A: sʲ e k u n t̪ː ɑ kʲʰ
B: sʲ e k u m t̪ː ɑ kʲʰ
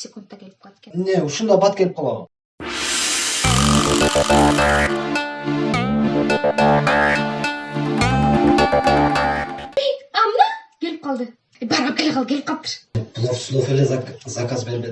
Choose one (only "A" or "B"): A